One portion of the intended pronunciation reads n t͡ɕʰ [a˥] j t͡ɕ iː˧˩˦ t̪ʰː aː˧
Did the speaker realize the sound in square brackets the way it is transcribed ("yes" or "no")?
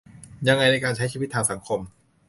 yes